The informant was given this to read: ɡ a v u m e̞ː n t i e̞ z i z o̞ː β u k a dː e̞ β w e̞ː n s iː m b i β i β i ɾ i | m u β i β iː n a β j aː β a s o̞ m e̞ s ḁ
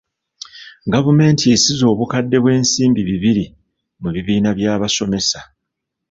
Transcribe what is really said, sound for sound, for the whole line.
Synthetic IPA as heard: ɡ a v u m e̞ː n t i e̞ s i z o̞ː β u k a dː e̞ β w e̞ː n s iː m b i β i β i ɾ i | m u β i β iː n a β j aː β a s o̞ m e̞ s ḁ